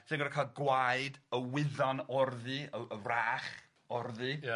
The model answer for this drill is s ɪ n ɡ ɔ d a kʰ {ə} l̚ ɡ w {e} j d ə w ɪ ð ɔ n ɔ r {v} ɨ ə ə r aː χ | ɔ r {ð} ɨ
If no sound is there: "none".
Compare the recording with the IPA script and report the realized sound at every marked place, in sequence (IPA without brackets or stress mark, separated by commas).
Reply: a, a, ð, ð